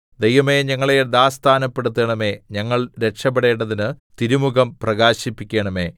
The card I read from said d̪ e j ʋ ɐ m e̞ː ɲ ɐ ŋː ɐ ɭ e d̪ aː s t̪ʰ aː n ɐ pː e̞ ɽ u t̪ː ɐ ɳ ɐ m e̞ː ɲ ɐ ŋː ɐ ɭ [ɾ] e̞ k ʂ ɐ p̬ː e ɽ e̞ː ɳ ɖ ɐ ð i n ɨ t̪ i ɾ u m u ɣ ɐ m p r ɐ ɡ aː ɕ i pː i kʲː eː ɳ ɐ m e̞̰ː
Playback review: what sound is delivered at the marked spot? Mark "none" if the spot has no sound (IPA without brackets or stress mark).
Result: ɾ